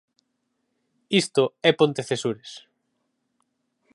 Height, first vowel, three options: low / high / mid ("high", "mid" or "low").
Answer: high